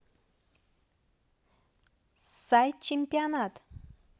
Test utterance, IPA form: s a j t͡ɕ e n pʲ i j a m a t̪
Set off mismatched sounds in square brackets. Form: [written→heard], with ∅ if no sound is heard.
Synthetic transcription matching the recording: s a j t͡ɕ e [n→m] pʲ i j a [m→n] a t̪